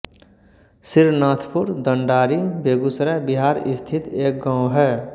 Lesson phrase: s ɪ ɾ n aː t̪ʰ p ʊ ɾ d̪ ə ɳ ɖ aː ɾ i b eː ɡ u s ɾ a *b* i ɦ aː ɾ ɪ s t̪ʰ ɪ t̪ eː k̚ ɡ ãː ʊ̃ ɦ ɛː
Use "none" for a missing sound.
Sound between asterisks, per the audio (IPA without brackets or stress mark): b